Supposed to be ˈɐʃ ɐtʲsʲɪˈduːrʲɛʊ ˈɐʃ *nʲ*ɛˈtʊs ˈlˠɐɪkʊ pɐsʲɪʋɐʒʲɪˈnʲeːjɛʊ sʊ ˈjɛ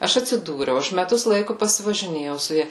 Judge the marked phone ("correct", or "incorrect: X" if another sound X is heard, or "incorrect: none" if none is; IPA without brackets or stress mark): incorrect: mʲ